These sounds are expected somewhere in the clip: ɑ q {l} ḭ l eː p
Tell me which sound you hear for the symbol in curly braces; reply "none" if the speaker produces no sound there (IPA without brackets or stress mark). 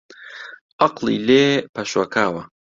l